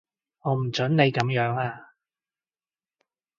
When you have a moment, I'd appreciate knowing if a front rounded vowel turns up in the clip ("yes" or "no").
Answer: yes